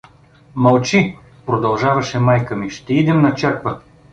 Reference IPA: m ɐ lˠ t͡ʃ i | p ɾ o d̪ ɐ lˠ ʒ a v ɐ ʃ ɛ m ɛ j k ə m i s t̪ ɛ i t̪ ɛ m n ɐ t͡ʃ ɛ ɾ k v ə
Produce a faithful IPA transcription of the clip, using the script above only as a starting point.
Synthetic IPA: m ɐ lˠ t͡ʃ i | p ɾ o d̪ ɐ lˠ ʒ a v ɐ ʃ ɛ m a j k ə m i ʃ t̪ ɛ i d̪ ɛ m n ɐ t͡ʃ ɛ ɾ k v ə